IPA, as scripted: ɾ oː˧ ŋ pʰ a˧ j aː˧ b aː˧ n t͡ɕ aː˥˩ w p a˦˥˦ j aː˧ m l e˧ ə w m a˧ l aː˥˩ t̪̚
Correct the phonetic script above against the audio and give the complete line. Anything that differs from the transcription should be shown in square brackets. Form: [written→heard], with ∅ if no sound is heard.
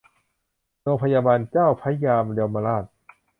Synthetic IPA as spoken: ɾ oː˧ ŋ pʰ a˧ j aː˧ b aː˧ n t͡ɕ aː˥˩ w [p→pʰ] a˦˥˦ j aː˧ m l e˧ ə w m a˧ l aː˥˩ t̪̚